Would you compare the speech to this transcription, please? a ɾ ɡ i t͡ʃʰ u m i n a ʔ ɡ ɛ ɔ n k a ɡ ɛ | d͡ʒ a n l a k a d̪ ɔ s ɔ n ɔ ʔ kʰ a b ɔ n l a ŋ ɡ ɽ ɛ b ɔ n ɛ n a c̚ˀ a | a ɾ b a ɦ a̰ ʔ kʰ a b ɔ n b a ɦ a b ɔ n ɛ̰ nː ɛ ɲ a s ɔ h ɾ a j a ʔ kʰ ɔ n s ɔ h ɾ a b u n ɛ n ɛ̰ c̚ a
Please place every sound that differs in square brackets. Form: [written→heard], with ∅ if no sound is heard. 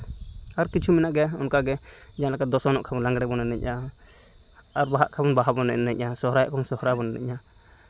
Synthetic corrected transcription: a ɾ [ɡ→k] i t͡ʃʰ u m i n a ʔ ɡ ɛ ɔ n k a ɡ ɛ | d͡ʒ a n l a k a d̪ ɔ s ɔ n ɔ ʔ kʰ a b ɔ n l a ŋ ɡ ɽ ɛ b ɔ n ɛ n [a→ɛ] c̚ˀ a | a ɾ b a ɦ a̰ ʔ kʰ a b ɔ n b a ɦ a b ɔ n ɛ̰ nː ɛ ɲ a s ɔ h ɾ a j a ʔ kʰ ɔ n s ɔ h ɾ a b [u→ɔ] n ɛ n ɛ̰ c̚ a